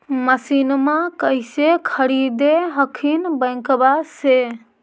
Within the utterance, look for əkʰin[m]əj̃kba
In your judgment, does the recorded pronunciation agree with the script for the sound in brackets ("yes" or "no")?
no